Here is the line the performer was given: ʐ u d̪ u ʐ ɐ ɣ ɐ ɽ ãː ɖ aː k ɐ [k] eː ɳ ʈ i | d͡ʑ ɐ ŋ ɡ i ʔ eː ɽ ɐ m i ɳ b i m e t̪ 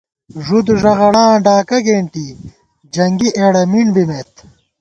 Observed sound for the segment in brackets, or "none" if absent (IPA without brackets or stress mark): ɡ